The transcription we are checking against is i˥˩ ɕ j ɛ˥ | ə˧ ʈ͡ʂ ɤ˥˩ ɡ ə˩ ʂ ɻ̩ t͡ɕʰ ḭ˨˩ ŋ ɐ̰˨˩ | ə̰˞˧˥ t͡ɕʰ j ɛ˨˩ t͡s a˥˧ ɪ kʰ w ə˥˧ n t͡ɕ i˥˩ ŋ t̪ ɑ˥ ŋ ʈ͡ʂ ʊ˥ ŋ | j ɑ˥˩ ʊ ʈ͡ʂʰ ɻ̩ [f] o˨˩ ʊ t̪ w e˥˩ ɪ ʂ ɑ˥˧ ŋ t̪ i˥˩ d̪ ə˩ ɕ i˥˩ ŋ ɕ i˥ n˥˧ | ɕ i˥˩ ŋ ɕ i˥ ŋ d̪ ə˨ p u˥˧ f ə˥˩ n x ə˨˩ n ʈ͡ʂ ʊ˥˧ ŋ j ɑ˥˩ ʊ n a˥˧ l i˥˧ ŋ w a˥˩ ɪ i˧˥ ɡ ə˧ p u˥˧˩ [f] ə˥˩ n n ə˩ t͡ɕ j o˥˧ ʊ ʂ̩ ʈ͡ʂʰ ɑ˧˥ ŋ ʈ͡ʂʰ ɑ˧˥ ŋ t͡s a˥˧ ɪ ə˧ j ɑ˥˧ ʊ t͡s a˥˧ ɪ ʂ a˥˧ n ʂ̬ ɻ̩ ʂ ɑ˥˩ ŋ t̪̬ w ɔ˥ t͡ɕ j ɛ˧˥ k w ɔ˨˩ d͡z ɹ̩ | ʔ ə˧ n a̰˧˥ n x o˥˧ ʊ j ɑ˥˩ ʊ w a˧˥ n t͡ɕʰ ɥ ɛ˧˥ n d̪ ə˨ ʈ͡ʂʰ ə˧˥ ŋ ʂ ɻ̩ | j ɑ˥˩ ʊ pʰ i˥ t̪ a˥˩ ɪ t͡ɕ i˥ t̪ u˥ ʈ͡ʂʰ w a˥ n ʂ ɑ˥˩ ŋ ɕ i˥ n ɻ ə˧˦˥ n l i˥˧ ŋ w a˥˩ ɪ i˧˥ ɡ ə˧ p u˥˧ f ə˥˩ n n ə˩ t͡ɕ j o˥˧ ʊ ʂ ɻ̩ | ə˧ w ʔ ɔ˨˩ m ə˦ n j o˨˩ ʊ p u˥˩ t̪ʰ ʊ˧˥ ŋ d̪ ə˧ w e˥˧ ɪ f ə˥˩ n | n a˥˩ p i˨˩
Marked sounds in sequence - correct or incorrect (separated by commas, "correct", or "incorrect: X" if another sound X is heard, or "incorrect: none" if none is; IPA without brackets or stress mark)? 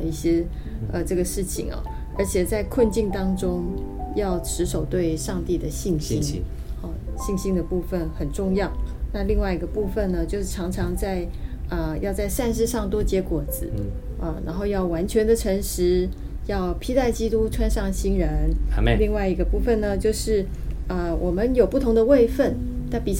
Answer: incorrect: ʂ, correct